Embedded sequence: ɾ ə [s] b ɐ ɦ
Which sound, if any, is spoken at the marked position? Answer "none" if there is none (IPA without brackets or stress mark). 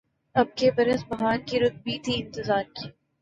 s